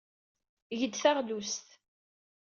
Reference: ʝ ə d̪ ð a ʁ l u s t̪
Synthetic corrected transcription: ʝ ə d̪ θ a ʁ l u s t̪